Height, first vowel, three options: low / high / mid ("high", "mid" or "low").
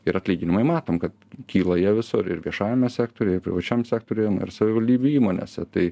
high